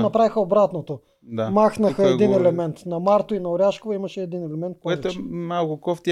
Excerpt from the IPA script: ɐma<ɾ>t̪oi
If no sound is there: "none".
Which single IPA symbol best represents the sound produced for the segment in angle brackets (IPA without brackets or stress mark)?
ɾ